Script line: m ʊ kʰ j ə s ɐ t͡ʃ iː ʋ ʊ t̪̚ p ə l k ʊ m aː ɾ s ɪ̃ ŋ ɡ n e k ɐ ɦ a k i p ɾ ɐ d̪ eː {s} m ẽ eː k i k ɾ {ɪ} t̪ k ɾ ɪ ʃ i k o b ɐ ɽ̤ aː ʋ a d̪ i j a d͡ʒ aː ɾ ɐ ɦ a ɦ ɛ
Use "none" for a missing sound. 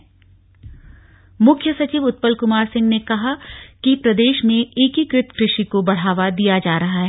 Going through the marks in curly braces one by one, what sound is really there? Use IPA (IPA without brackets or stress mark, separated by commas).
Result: ʃ, ɪ